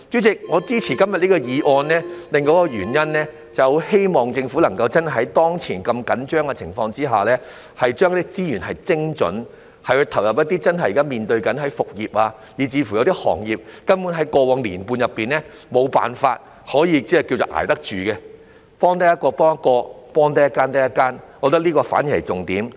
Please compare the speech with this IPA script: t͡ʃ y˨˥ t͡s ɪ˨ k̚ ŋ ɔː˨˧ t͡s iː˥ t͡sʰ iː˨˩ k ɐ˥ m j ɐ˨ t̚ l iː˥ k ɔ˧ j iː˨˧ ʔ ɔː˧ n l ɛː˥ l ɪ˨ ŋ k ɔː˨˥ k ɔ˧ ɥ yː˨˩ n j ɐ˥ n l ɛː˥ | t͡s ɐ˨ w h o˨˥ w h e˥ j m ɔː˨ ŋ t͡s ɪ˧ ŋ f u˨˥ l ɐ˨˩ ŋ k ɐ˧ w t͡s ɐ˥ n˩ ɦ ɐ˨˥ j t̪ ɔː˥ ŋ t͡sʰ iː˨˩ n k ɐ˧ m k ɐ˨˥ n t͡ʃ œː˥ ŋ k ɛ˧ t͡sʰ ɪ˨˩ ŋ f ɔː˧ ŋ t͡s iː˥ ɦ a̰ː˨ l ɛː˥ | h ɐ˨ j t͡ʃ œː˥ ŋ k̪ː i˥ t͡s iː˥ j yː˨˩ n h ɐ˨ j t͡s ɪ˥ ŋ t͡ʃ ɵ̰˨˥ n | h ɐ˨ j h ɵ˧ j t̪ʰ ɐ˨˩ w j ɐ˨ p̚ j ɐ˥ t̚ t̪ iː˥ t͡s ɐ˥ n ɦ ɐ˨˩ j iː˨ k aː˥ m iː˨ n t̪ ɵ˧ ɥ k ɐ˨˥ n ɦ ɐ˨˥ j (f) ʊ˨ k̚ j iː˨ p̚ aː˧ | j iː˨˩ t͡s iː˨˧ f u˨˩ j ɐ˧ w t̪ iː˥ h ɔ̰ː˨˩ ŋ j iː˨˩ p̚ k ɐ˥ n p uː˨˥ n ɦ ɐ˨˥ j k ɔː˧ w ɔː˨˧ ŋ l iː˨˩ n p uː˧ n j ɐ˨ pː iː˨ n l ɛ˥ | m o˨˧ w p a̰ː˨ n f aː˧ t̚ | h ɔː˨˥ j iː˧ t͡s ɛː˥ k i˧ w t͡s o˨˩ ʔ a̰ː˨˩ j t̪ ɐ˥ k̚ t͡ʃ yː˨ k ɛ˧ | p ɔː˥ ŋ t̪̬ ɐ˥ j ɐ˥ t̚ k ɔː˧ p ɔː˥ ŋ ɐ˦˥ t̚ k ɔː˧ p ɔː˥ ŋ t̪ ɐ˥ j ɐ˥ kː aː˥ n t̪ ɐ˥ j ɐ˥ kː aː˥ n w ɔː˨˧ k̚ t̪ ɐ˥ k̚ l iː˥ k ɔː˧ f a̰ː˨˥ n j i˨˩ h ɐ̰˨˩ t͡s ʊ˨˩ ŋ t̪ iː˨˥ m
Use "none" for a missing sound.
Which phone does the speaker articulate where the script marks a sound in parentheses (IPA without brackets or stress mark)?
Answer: f